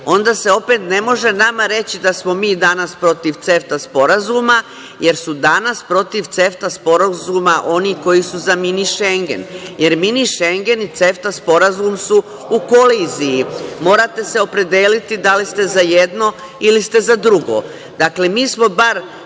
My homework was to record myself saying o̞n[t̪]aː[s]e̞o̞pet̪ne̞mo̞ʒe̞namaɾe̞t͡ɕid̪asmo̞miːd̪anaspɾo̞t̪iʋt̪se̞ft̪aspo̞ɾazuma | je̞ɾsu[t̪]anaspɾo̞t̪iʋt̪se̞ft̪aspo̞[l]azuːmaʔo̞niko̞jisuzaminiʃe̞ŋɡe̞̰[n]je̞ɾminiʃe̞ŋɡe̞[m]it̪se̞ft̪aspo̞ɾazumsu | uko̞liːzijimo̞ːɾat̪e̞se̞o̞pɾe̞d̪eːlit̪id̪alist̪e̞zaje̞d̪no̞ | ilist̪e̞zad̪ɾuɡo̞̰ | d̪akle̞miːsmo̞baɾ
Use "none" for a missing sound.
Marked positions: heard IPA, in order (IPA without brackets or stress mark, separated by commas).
d̪, s, d̪, ɾ, n, n